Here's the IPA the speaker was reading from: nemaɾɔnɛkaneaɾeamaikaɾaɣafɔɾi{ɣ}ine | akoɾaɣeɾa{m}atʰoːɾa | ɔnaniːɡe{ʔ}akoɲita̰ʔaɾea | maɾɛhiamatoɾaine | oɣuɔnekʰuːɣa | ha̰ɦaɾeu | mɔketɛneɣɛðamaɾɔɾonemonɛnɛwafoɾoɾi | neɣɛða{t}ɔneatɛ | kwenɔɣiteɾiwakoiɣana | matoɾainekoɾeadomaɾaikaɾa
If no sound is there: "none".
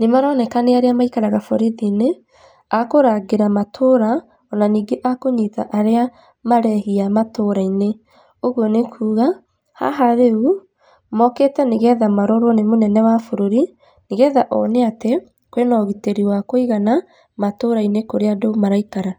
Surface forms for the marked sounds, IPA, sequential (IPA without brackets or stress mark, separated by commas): ð, m, ʔ, ʔ